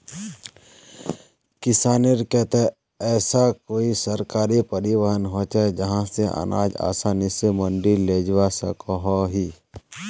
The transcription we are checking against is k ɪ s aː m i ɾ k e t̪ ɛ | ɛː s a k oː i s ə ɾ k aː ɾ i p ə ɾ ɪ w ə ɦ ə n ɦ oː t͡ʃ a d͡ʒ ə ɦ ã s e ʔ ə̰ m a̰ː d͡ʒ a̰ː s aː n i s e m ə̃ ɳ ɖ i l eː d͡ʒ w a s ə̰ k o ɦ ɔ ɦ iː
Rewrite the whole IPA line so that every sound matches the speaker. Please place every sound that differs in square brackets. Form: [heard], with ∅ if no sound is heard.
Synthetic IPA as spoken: k ɪ s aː [n] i ɾ k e t̪ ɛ | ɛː s a k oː i s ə ɾ k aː ɾ i p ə ɾ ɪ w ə ɦ ə n ɦ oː t͡ʃ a d͡ʒ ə ɦ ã s e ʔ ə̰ [n] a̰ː d͡ʒ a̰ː s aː n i s e m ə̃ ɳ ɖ i l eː d͡ʒ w a s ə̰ k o ɦ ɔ ɦ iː

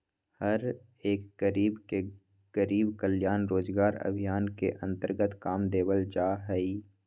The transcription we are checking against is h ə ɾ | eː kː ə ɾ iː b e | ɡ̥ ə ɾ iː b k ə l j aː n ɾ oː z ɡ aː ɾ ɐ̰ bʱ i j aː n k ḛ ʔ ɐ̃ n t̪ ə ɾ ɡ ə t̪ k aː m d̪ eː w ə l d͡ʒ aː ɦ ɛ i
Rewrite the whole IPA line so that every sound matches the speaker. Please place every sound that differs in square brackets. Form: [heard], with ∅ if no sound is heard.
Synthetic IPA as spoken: h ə ɾ | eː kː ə ɾ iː b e | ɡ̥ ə ɾ iː b k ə l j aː n ɾ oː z ɡ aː ɾ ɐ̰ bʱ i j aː n k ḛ ʔ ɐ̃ n t̪ ə ɾ ɡ ə t̪ k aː m d̪ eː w ə l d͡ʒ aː ɦ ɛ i

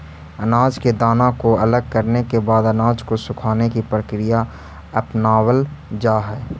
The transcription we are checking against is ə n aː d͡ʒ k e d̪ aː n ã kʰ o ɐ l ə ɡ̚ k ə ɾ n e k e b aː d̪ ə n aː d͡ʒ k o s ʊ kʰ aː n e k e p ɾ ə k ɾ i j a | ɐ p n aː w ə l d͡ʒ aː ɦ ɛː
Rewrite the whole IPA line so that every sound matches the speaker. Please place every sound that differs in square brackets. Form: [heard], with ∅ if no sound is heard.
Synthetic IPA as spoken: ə n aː d͡ʒ k e d̪ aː n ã [k] o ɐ l ə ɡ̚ k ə ɾ n e k e b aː d̪ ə n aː d͡ʒ k o s ʊ kʰ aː n e k [i] p ɾ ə k ɾ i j a | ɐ p n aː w ə l d͡ʒ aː ɦ ɛː

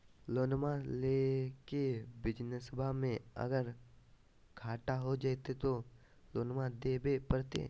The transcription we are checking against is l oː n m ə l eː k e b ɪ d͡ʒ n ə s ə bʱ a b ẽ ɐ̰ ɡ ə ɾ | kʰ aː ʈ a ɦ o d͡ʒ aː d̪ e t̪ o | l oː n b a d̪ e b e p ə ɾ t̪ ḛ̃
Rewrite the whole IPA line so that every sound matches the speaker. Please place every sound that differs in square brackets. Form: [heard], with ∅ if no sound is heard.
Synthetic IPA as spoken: l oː n m [a] l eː k e b ɪ d͡ʒ n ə s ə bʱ a [m] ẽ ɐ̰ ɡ ə ɾ | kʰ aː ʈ a ɦ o d͡ʒ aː [t̪] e t̪ o | l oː n [m] a d̪ e b e p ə ɾ t̪ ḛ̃

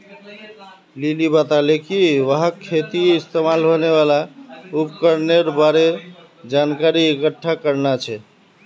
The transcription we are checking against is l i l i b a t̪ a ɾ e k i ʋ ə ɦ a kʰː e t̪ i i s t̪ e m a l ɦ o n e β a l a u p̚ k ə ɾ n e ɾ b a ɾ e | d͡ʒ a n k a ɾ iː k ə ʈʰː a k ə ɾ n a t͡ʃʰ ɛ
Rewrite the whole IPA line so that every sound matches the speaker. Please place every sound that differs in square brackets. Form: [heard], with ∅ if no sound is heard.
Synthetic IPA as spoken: l i l i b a t̪ a [l] e k i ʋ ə ɦ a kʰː e t̪ i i s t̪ e m a l ɦ o n e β a l a u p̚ k ə ɾ n e ɾ b a ɾ e | d͡ʒ a n k a ɾ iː k ə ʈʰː a k ə ɾ n a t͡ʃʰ ɛ

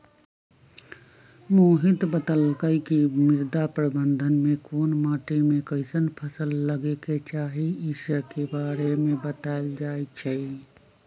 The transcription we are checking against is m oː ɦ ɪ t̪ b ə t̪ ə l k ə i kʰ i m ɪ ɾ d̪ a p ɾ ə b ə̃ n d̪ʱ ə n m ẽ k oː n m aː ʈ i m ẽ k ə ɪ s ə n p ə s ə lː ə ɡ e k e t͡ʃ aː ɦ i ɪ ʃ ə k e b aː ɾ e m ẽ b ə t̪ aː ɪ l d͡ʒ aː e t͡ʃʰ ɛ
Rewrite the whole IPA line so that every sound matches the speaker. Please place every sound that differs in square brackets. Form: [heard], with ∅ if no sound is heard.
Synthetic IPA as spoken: m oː ɦ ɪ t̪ b ə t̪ ə l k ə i [k] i m ɪ ɾ d̪ a p ɾ ə b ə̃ n d̪ʱ ə n m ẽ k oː n m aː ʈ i m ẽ k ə ɪ s ə n [pʰ] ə s ə lː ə ɡ e k e t͡ʃ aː ɦ i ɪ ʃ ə k e b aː ɾ e m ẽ b ə t̪ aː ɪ l d͡ʒ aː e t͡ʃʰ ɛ

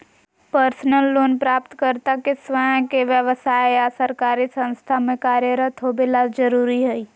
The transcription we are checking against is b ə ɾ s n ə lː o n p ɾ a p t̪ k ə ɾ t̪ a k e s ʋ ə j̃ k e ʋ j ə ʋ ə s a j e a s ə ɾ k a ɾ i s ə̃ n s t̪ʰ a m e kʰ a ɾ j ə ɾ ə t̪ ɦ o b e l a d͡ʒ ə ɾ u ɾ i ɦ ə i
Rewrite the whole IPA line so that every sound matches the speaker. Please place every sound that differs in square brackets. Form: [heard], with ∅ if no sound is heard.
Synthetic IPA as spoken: [p] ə ɾ s n ə lː o n p ɾ a p t̪ k ə ɾ t̪ a k e s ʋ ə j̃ k e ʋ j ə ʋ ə s a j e a s ə ɾ k a ɾ i s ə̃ n s t̪ʰ a m e [k] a ɾ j ə ɾ ə t̪ ɦ o b e l a d͡ʒ ə ɾ u ɾ i ɦ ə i

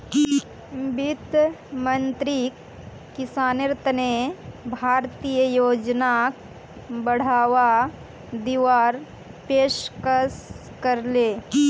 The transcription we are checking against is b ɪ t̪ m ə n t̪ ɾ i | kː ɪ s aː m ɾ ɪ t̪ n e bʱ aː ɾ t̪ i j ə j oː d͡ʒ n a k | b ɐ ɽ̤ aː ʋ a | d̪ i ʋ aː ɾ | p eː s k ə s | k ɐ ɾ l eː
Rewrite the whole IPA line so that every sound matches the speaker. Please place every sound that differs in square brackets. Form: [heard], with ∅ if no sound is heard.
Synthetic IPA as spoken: b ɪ t̪ m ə n t̪ ɾ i | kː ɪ s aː [n] ɾ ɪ t̪ n e bʱ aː ɾ t̪ i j ə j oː d͡ʒ n a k | b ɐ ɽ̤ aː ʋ a | d̪ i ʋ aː ɾ | p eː [ʃ] k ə s | k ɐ ɾ l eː

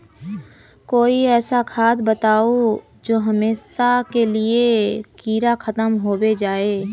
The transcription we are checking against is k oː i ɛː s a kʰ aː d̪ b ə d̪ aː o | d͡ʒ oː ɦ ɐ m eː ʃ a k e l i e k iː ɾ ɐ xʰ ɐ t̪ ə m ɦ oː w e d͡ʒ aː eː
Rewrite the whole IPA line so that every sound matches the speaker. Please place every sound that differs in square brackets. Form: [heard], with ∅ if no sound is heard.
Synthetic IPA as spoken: k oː i ɛː s a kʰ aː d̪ b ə [t̪] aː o | d͡ʒ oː ɦ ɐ m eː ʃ a k e l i e k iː ɾ [a] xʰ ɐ t̪ ə m ɦ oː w e d͡ʒ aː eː

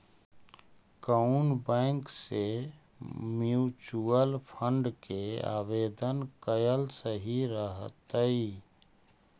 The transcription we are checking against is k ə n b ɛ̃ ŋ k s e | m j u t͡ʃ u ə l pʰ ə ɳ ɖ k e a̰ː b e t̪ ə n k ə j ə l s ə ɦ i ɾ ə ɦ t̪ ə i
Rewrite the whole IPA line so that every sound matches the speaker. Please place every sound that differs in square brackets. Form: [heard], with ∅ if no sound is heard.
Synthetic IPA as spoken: k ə n b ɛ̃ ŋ k s e | m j u t͡ʃ u ə l pʰ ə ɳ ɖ k e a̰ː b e [d̪] ə n k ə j ə l s ə ɦ i ɾ ə ɦ t̪ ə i

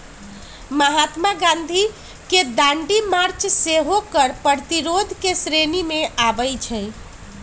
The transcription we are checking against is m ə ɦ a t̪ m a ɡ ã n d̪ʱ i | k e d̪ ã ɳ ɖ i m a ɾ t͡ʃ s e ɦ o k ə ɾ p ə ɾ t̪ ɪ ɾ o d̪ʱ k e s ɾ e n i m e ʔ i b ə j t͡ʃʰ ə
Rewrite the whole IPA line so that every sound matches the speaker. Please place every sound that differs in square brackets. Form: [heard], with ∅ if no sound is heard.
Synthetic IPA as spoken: m ə ɦ a t̪ m a ɡ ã n d̪ʱ i | k e d̪ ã ɳ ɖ i m a ɾ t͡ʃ s e ɦ o k ə ɾ p ə ɾ t̪ [i] ɾ o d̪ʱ k e s ɾ e n i m e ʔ [a] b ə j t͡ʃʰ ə

